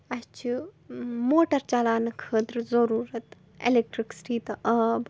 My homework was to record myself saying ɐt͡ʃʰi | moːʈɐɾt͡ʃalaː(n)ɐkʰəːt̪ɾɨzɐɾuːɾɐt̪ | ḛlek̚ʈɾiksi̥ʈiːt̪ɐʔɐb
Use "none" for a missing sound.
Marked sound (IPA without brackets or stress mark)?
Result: n